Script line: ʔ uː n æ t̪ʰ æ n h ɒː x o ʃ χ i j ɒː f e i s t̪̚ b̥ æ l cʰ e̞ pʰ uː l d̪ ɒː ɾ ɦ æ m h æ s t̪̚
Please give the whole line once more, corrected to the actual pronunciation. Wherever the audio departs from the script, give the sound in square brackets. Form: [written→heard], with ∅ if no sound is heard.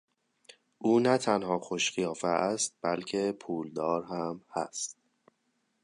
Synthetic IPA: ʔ uː n æ t̪ʰ æ n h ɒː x o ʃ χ i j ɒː f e [i→æ] s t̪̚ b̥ æ l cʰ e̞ pʰ uː l d̪ ɒː ɾ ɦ æ m h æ s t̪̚